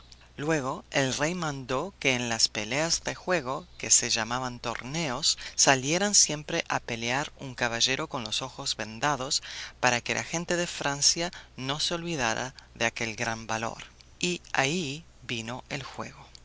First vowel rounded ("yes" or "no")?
no